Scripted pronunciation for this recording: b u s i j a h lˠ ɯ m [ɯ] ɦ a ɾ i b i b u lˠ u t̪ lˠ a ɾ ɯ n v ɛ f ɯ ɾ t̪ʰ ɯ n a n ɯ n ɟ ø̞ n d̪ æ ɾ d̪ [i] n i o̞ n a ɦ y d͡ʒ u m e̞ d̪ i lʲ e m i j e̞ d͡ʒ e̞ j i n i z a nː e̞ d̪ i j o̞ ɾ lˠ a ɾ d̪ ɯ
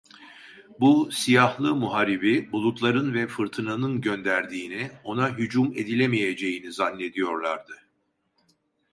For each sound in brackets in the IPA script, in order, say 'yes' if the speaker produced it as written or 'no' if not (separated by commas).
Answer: no, no